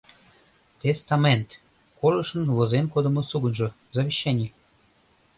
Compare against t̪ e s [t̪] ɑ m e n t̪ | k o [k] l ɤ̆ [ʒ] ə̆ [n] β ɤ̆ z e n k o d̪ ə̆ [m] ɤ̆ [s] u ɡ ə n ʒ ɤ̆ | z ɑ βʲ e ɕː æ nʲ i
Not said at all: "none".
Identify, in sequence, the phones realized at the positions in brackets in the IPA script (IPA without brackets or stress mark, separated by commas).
t̪, none, ʃ, n, m, s